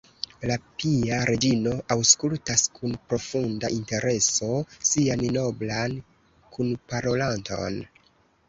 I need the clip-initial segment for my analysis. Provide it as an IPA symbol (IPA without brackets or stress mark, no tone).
l